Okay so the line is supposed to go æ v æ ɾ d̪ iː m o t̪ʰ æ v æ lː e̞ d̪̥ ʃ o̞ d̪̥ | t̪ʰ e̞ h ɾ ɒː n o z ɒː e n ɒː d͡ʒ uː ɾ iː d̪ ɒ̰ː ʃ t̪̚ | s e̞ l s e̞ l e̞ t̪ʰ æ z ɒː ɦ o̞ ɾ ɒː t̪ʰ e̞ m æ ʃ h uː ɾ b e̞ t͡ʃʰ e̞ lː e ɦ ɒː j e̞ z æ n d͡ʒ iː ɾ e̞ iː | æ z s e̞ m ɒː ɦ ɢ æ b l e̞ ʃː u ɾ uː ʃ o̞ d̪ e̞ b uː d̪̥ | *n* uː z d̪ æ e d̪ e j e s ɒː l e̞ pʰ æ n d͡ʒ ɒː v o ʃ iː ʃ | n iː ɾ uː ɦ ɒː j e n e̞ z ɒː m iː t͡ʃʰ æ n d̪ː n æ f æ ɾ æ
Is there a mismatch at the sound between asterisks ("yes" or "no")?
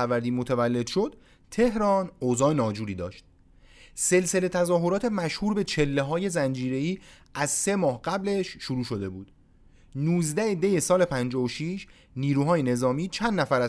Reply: no